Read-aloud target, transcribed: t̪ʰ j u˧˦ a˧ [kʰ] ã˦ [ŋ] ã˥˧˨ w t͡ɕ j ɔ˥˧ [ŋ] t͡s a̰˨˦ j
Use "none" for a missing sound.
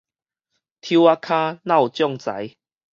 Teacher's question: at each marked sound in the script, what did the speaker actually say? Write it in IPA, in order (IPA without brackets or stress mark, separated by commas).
kʰ, n, ŋ